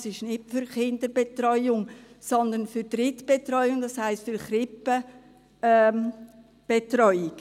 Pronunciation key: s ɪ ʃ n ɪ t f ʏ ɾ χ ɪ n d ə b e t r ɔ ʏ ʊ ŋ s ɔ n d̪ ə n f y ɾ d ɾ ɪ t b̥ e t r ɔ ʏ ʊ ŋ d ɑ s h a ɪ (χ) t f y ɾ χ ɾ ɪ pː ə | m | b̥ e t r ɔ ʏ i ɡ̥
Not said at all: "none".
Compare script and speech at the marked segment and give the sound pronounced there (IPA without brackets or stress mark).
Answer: s